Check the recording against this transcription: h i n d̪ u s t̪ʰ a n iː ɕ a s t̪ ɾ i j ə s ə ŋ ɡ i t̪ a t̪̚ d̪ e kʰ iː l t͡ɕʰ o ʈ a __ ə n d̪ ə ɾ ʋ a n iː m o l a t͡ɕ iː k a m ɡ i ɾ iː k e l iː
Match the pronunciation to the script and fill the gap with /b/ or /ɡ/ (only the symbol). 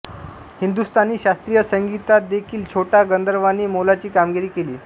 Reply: ɡ